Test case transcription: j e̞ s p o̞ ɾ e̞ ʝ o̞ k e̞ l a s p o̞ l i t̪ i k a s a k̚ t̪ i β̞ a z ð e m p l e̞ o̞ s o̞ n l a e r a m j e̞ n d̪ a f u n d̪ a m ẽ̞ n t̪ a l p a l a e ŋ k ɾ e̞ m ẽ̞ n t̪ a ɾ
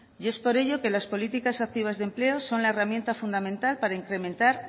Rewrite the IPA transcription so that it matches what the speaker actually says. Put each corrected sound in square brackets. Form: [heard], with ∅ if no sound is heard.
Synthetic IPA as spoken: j e̞ s p o̞ ɾ e̞ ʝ o̞ k e̞ l a s p o̞ l i t̪ i k a s a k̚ t̪ i β̞ a z ð e m p l e̞ o̞ s o̞ n l a e r a m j e̞ n [t̪] a f u n d̪ a m ẽ̞ n t̪ a l p a [ɾ] a [i] ŋ k ɾ e̞ m ẽ̞ n t̪ a ɾ